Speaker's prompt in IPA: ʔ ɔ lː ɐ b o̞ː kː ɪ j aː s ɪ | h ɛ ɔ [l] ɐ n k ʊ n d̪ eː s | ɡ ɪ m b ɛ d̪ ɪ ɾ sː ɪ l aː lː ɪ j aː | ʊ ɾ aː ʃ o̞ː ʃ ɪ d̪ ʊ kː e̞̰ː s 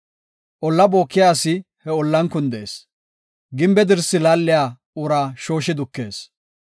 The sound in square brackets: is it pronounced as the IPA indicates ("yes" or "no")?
no